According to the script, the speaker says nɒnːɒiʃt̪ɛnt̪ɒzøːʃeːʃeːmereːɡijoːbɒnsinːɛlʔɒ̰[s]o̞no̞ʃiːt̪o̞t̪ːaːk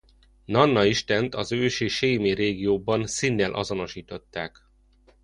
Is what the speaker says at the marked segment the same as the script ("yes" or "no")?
no